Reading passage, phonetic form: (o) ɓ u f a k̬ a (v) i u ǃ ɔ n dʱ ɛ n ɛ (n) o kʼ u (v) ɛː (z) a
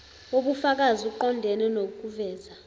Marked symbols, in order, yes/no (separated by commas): yes, no, yes, yes, yes